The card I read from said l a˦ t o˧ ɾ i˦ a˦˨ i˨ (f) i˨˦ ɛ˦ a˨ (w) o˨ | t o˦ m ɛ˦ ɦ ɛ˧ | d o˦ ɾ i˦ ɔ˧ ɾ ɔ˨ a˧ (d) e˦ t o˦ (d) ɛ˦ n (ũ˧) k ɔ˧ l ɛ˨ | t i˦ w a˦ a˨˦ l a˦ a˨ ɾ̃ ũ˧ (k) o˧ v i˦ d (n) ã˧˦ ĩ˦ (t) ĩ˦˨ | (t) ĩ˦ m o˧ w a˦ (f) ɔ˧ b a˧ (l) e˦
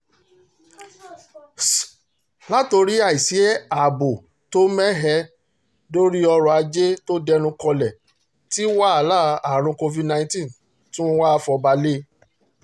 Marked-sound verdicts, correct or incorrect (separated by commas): incorrect, incorrect, incorrect, correct, correct, correct, correct, correct, correct, correct, correct